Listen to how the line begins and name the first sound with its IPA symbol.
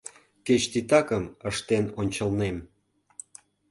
k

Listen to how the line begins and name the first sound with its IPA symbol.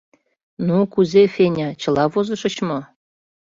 n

